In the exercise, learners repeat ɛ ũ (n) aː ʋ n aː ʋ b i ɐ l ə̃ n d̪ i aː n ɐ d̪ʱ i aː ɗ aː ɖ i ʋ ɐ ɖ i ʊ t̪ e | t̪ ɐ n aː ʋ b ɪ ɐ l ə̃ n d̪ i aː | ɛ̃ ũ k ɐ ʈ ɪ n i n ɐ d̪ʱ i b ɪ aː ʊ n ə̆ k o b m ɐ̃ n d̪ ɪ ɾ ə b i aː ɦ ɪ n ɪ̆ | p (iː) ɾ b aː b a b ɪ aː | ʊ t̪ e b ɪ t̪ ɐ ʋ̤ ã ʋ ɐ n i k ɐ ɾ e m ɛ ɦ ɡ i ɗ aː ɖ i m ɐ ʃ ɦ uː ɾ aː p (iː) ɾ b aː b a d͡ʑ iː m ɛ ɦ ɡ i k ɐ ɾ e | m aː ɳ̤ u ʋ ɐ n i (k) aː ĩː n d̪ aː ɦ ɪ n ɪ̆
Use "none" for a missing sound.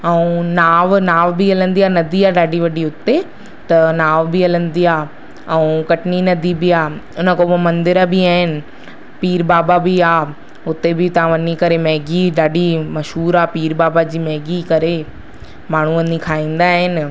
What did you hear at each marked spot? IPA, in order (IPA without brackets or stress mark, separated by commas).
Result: n, iː, iː, kʰ